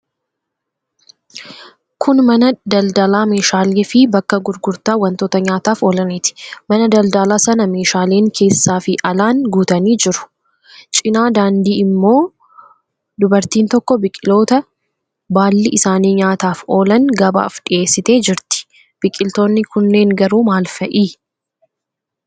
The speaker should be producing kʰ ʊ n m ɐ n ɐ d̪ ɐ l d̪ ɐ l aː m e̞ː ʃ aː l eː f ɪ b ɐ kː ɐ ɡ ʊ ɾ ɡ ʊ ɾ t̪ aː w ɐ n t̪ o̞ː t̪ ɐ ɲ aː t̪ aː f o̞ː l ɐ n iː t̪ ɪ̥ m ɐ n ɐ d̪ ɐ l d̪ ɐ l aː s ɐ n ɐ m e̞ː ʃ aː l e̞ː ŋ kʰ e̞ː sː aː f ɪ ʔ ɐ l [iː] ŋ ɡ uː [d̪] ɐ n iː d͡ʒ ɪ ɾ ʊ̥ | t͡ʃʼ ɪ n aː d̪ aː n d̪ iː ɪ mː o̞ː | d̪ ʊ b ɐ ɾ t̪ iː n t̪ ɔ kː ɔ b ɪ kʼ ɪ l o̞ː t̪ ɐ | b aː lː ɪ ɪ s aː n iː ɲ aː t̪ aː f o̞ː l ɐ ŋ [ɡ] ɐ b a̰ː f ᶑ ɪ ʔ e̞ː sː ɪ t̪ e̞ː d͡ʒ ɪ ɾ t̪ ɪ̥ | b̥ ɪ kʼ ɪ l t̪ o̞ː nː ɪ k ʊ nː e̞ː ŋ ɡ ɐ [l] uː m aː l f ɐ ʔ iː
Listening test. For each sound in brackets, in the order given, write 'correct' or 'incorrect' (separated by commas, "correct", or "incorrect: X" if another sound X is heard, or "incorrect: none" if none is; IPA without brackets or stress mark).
incorrect: aː, incorrect: t̪, correct, incorrect: ɾ